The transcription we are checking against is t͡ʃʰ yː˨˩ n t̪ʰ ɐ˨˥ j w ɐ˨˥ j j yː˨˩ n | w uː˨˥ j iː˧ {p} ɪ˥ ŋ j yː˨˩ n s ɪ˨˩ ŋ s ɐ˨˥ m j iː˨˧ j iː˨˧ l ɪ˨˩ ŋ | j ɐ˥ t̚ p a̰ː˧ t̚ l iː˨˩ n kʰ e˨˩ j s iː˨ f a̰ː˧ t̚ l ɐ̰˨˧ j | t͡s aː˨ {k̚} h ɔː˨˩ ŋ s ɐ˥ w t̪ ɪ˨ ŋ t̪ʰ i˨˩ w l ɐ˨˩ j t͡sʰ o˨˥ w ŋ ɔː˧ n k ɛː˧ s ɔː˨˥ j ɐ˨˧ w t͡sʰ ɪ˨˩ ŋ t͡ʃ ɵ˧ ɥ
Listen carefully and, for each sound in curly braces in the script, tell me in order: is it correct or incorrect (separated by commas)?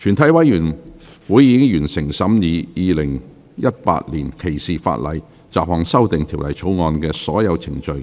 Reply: incorrect, incorrect